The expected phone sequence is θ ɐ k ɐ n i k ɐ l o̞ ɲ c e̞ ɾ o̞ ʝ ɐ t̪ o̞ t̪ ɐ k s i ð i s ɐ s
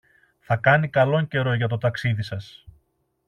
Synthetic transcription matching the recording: θ ɐ k ɐ n i k ɐ l o̞ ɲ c e̞ ɾ o̞ ʝ ɐ t̪ o̞ t̪ ɐ k s i ð i s ɐ s